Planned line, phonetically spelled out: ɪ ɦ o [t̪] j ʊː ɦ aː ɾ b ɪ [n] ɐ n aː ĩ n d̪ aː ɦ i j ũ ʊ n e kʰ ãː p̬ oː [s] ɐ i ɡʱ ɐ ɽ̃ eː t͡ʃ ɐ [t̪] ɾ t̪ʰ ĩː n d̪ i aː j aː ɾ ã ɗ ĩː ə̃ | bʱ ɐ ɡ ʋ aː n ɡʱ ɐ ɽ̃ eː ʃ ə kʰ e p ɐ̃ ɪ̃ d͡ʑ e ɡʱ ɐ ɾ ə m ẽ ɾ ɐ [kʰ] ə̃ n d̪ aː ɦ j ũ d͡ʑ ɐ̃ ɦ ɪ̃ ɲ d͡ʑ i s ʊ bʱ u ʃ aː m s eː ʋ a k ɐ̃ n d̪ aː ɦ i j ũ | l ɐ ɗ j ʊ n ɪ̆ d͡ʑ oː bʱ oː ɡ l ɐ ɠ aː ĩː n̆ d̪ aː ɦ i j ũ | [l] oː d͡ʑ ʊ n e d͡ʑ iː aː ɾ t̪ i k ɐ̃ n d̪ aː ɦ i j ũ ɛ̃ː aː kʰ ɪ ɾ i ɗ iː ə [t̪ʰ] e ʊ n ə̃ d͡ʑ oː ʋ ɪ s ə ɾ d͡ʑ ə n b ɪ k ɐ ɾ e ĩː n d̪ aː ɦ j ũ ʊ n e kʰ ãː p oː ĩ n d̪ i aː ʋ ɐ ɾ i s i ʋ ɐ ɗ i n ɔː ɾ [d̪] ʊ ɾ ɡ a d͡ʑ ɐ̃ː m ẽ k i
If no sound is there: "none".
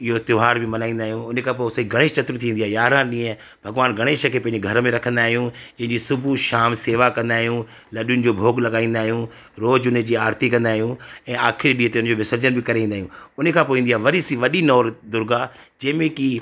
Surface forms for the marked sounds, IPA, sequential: t̪, m, s, t̪, kʰ, ɾ, t̪, d̪

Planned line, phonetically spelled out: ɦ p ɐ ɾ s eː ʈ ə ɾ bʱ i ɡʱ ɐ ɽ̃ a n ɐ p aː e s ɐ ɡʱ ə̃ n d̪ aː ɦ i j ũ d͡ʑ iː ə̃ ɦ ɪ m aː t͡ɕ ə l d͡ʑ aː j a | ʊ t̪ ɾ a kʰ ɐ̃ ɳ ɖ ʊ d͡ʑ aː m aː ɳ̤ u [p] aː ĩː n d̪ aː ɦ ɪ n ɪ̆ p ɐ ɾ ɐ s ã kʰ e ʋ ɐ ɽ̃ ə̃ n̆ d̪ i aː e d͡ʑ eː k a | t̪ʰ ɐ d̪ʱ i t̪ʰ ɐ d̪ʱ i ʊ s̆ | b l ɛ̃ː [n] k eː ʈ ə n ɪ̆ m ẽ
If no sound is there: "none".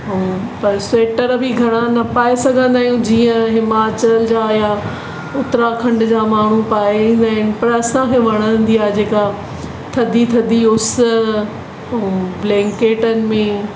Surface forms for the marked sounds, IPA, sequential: p, ŋ

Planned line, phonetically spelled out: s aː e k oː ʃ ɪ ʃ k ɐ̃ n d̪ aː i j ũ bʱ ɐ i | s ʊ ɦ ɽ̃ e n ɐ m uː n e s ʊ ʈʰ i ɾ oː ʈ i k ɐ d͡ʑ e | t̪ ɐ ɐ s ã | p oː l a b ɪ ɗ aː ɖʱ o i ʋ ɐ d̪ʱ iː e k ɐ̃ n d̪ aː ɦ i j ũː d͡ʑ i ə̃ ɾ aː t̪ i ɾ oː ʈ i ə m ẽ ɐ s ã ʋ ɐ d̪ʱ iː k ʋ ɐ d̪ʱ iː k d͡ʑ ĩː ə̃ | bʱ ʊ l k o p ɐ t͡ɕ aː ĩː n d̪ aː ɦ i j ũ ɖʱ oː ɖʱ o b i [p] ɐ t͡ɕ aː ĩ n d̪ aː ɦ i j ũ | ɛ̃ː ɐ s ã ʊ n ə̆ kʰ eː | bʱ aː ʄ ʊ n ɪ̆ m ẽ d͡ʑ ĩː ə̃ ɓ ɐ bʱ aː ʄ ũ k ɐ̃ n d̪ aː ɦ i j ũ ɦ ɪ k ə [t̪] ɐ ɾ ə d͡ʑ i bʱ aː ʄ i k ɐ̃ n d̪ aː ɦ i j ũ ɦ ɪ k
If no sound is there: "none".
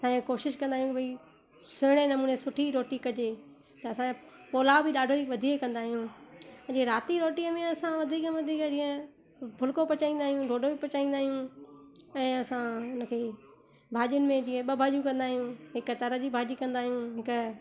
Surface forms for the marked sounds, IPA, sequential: p, t̪

